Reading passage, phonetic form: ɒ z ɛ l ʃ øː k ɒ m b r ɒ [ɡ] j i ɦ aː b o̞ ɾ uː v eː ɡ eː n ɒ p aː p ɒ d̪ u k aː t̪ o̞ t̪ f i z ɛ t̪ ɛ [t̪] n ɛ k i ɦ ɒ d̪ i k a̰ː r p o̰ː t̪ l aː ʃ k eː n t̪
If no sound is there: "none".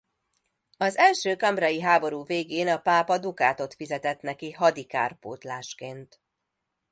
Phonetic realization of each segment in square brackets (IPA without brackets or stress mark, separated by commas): none, t̪